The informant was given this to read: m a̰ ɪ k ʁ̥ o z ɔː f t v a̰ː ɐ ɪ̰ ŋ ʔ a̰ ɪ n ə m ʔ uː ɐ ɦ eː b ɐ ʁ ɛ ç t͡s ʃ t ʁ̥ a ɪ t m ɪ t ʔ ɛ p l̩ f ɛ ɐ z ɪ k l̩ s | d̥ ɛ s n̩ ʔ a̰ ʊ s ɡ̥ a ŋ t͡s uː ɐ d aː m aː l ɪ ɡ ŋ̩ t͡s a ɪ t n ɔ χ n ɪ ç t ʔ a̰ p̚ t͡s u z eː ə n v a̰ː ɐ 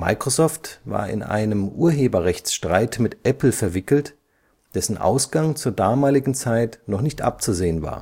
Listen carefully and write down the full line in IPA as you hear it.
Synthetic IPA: m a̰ ɪ k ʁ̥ o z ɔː f t v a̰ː ɐ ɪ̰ n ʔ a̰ ɪ n ə m ʔ uː ɐ ɦ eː b ɐ ʁ ɛ ç t͡s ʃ t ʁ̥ a ɪ t m ɪ t ʔ ɛ p l̩ f ɛ ɐ v ɪ k l̩ t | d̥ ɛ s n̩ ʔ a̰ ʊ s ɡ̥ a ŋ t͡s uː ɐ d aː m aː l ɪ ɡ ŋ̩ t͡s a ɪ t n ɔ χ n ɪ ç t ʔ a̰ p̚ t͡s u z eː ə n v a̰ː ɐ

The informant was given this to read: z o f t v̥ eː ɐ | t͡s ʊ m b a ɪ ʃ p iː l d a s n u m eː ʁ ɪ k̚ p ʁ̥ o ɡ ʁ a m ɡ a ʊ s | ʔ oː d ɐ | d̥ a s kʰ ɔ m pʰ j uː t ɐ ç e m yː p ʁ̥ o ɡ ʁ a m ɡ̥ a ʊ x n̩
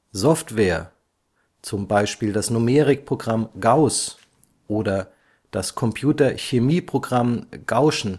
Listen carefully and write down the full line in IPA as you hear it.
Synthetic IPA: z ɔ f t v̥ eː ɐ | t͡s ʊ m b a ɪ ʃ p iː l d a s n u m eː ʁ ɪ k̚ p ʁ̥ o ɡ ʁ a m ɡ a ʊ s | ʔ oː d ɐ | d̥ a s kʰ ɔ m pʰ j uː t ɐ ç e m iː p ʁ̥ o ɡ ʁ a m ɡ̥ a ʊ ʃ n̩

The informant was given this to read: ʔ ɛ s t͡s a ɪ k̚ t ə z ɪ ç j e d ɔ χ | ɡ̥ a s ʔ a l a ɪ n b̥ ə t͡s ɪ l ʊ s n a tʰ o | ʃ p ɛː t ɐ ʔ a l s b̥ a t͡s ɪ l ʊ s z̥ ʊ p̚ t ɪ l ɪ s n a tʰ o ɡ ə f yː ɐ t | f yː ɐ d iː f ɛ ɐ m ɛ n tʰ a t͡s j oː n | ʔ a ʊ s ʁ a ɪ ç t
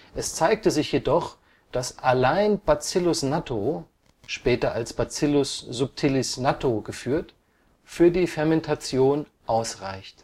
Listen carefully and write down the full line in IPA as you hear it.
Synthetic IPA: ʔ ɛ s t͡s a ɪ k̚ t ə z ɪ ç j e d ɔ χ | d̥ a s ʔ a l a ɪ n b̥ a t͡s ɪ l ʊ s n a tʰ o | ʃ p ɛː t ɐ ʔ a l s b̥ a t͡s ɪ l ʊ s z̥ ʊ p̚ tʰ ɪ l ɪ s n a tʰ o ɡ ə f yː ɐ t | f yː ɐ d iː f ɛ ɐ m ɛ n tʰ a t͡s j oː n | ʔ a ʊ s ʁ a ɪ ç t

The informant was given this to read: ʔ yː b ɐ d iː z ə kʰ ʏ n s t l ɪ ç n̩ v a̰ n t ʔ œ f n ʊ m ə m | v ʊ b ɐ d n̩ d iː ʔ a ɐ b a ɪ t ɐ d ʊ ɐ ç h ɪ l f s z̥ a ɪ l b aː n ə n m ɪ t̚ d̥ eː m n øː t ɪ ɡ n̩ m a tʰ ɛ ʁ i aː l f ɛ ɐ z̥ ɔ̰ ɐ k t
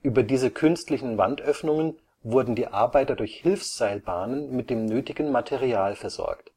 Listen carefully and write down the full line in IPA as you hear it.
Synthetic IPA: ʔ yː b ɐ d iː z ə kʰ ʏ n s t l ɪ ç n̩ v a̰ n t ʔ œ f n ʊ ŋ ə n | v ʊ ɐ d n̩ d iː ʔ a ɐ b a ɪ t ɐ d ʊ ɐ ç h ɪ l f s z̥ a ɪ l b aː n ə n m ɪ t̚ d̥ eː m n øː t ɪ ɡ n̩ m a tʰ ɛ ʁ i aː l f ɛ ɐ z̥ ɔ̰ ɐ k t

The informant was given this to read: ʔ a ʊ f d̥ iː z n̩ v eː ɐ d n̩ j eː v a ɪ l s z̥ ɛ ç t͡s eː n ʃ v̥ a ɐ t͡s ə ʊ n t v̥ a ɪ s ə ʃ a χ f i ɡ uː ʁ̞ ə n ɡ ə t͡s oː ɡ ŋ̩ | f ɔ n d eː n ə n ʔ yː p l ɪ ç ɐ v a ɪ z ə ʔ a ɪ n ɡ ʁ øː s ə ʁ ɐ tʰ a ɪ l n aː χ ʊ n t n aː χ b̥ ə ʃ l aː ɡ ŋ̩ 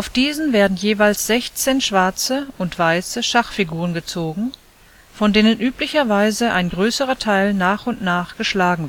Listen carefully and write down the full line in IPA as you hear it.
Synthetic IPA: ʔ a ʊ f d̥ iː z n̩ v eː ɐ d n̩ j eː v a ɪ l s z̥ ɛ ç t͡s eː n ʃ v̥ a ɐ t͡s ə ʊ n t v̥ a ɪ s ə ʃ a χ f i ɡ uː ʁ̞ ə n ɡ ə t͡s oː ɡ ŋ̩ | f ɔ n d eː n ə n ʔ yː p l ɪ ç ɐ v a ɪ z ə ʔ a ɪ n ɡ ʁ øː s ə ʁ ɐ tʰ a ɪ l n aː χ ʊ n t n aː χ ɡ̥ ə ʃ l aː ɡ ŋ̩

